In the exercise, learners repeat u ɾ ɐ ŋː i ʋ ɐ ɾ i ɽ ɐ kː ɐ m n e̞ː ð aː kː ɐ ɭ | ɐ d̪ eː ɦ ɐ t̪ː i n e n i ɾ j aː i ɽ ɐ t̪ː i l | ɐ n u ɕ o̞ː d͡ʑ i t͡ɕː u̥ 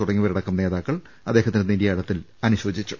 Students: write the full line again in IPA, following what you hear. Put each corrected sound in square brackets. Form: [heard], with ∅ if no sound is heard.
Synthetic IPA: u [ɽ] ɐ ŋː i ʋ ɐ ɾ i ɽ ɐ kː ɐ m n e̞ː ð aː kː ɐ ɭ | ɐ d̪ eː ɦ ɐ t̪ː i n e n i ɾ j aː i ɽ ɐ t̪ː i l | ɐ n u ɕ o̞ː d͡ʑ i t͡ɕː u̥